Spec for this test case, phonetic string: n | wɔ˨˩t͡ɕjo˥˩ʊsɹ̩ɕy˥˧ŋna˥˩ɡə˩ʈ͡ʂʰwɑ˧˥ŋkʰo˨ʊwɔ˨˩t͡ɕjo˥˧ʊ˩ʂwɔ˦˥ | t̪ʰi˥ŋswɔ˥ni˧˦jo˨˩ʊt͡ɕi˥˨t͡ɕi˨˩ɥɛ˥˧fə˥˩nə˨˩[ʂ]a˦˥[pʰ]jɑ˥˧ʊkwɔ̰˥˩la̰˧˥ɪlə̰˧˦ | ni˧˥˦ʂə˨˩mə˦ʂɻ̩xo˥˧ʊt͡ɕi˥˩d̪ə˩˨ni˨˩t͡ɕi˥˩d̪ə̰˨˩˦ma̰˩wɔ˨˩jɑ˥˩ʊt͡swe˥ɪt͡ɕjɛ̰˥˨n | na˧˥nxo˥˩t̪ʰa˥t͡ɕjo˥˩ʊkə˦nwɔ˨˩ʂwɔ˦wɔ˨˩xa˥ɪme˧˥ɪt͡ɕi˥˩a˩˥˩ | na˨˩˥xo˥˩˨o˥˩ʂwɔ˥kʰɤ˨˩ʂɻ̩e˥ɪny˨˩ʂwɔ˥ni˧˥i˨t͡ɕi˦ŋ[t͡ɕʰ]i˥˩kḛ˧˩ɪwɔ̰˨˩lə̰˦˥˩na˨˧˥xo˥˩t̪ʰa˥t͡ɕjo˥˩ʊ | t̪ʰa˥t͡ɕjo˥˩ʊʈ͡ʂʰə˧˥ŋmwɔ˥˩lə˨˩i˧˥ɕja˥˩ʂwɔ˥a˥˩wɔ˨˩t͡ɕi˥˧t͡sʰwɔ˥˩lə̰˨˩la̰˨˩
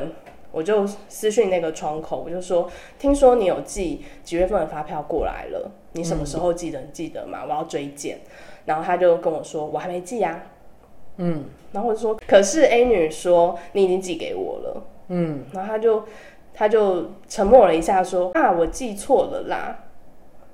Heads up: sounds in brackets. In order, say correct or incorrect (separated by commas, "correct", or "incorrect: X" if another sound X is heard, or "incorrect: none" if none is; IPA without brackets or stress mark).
incorrect: f, correct, incorrect: t͡ɕ